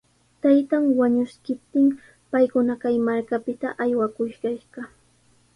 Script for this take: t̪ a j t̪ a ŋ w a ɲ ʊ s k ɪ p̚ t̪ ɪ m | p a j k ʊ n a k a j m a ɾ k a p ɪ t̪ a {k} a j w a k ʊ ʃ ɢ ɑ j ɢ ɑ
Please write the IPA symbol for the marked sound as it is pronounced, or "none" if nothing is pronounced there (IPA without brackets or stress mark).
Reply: ʔ